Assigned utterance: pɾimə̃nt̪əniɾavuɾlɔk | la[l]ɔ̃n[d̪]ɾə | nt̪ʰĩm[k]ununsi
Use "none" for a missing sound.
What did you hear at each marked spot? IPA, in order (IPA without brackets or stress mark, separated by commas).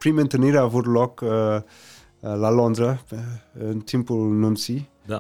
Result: l, d̪, p